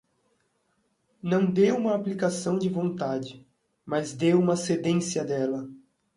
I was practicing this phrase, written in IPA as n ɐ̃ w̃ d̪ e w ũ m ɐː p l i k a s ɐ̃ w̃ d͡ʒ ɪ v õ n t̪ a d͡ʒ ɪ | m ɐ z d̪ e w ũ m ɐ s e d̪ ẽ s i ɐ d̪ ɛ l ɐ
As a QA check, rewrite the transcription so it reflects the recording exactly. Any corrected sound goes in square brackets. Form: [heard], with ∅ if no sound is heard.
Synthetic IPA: n ɐ̃ w̃ d̪ e w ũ m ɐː p l i k a s ɐ̃ w̃ d͡ʒ ɪ v õ n t̪ a d͡ʒ ɪ | m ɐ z d̪ e w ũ m ɐ s e d̪ ẽ s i ɐ d̪ ɛ l ɐ